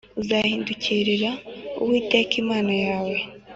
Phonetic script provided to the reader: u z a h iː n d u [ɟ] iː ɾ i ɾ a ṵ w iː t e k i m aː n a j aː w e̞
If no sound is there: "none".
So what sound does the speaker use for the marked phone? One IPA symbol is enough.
c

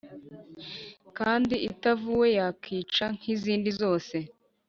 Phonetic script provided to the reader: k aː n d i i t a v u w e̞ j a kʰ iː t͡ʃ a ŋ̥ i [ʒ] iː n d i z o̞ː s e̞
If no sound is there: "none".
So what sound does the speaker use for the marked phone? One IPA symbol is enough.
z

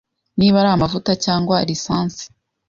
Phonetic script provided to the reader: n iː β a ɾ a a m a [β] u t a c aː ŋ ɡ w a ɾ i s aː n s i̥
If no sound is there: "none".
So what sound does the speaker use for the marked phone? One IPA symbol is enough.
v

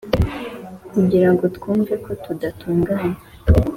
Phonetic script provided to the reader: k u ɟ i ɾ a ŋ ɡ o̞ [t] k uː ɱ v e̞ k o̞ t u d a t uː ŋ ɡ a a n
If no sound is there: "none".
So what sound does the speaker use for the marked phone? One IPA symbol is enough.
t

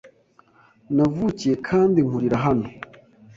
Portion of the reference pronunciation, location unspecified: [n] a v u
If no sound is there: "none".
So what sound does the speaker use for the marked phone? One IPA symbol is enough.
n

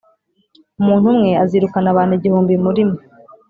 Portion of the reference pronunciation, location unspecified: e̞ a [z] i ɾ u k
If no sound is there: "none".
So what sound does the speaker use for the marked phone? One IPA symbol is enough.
z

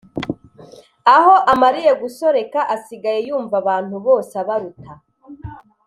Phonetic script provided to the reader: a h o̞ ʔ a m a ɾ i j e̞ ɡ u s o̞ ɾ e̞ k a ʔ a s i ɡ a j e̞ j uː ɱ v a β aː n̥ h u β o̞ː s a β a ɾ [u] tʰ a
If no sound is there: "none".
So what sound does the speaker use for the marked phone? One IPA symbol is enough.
u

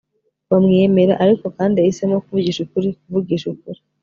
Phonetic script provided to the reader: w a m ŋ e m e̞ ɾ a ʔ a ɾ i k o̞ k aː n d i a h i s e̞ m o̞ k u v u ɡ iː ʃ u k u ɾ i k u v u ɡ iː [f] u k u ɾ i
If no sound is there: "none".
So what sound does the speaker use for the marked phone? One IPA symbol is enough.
ʃ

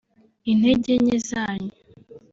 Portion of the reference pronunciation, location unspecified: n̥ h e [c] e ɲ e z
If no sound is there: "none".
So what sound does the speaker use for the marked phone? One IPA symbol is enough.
ɟ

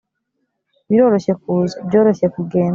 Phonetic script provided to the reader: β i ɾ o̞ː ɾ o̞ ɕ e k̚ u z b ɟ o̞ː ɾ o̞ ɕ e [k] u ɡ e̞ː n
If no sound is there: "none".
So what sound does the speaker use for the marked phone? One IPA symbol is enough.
k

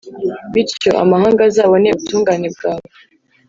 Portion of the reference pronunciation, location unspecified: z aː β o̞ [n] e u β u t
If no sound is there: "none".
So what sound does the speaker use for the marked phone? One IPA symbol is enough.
n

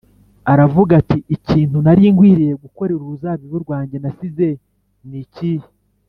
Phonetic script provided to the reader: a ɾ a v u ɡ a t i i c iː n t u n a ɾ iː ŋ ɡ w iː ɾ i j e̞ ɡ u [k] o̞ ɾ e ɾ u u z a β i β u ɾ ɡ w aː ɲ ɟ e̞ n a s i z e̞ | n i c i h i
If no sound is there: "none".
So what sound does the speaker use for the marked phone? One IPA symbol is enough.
k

